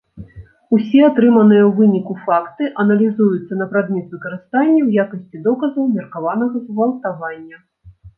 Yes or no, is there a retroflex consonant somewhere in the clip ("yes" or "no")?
no